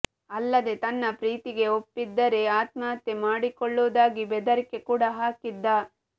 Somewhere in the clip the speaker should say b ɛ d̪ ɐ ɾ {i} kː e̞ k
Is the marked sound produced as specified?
yes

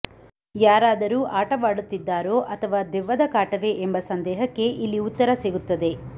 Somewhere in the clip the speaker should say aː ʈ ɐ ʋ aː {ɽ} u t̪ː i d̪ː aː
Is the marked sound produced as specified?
yes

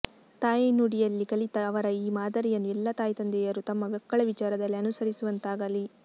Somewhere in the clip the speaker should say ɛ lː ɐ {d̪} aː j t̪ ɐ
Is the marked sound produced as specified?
no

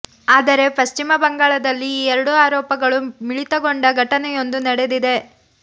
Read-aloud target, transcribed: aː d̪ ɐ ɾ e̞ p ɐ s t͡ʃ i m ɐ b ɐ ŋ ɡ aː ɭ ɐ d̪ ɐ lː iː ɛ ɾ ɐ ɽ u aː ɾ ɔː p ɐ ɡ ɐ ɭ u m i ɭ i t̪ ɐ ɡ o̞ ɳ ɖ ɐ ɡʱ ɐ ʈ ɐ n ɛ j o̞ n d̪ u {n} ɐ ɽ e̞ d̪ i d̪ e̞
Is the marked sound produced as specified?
yes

